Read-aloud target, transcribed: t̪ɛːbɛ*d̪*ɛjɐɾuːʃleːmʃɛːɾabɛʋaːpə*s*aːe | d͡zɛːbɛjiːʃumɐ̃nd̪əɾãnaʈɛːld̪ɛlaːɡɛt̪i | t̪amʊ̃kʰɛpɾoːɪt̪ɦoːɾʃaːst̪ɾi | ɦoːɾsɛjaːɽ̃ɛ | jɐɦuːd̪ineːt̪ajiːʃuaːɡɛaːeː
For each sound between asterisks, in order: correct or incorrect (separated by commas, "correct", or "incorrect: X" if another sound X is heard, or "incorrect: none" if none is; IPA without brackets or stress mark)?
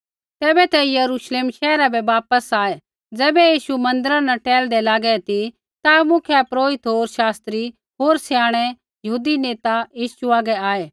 incorrect: t̪, correct